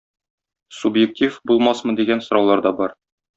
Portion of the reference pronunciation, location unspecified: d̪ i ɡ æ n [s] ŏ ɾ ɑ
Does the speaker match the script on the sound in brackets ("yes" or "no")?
yes